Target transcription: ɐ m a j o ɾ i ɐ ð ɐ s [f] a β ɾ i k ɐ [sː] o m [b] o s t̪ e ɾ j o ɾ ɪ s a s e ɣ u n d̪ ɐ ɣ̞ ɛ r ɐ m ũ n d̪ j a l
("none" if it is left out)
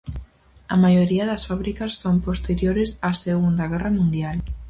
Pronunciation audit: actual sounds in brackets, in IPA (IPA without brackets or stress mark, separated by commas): f, sː, p